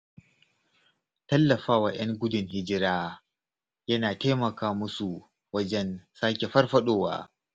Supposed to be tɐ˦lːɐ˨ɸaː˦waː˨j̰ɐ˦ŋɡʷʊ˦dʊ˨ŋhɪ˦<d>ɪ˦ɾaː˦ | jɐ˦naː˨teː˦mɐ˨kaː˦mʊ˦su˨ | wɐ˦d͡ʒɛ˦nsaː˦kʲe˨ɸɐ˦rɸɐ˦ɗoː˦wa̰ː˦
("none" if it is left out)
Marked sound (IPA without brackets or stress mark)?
d͡ʒ